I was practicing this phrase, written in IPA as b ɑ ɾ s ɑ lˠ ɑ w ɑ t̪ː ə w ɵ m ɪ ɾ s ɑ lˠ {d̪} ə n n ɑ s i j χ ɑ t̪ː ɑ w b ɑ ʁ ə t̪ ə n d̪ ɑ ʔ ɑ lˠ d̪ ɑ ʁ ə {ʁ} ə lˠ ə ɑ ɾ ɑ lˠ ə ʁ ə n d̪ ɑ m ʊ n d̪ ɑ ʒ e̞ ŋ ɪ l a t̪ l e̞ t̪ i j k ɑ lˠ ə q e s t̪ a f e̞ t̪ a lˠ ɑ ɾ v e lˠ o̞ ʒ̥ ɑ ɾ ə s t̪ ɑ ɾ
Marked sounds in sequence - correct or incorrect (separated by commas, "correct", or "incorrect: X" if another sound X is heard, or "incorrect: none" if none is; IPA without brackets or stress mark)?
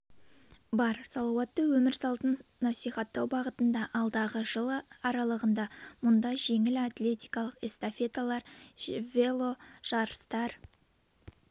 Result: incorrect: t̪, incorrect: ʒ